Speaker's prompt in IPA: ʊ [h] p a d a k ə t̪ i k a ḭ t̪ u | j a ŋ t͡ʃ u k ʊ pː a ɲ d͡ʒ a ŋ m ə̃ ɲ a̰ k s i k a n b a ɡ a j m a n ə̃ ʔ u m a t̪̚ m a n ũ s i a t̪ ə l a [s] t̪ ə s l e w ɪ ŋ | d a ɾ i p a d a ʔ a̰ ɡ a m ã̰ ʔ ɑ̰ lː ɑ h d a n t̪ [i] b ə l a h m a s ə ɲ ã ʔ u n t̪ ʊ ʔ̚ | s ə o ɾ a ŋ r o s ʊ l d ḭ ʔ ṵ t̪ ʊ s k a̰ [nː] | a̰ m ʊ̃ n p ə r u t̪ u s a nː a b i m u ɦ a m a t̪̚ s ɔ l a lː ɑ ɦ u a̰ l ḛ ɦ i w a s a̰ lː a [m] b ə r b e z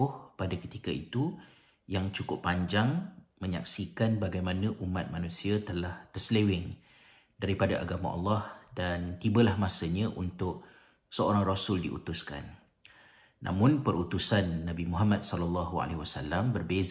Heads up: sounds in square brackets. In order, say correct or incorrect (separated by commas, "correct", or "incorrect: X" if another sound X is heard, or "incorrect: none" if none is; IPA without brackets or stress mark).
correct, incorrect: h, correct, correct, correct